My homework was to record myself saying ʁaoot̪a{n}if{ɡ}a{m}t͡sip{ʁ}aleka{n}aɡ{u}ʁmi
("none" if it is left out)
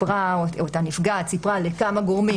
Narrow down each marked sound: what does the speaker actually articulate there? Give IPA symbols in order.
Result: n, ɡ, none, ʁ, m, o

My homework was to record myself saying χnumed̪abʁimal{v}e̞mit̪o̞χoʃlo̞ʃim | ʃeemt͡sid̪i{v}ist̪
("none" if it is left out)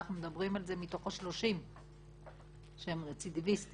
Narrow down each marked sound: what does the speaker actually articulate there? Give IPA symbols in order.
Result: z, v

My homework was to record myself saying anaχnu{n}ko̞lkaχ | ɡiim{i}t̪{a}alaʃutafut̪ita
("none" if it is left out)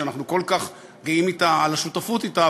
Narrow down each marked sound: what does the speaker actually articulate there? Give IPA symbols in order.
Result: none, i, a

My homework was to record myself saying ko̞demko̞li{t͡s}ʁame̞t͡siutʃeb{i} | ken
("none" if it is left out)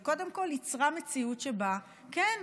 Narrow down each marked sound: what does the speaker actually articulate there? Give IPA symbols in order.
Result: t͡s, a

